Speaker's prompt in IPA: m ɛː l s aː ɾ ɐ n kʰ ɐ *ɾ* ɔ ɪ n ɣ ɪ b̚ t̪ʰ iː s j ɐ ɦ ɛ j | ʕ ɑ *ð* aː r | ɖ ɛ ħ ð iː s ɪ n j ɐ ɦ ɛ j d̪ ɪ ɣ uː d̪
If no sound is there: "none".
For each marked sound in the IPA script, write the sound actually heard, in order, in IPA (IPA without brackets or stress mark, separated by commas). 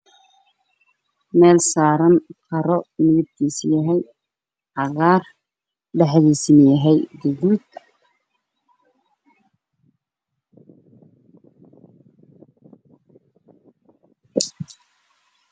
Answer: ɾ, ɣ